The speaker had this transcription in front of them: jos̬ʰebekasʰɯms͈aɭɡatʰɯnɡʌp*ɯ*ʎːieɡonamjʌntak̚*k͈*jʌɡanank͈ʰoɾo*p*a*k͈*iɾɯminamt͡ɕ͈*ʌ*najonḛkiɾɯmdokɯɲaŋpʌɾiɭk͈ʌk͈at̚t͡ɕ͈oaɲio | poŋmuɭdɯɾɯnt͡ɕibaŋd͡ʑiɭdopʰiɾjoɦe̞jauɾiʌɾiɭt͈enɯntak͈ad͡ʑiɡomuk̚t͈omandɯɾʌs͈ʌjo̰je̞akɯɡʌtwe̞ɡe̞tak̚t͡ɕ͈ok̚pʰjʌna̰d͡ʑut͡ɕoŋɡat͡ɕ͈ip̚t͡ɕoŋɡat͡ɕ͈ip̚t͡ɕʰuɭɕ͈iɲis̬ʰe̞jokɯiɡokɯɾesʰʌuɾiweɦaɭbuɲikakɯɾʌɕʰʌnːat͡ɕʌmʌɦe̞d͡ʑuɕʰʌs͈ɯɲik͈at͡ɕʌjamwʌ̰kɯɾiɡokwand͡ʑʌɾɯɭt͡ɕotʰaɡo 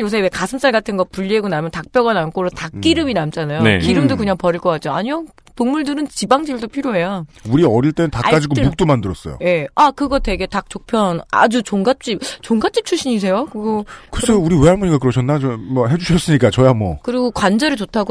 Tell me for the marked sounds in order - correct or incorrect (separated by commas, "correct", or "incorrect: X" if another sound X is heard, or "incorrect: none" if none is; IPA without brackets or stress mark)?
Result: incorrect: u, incorrect: p͈, incorrect: t, correct, incorrect: a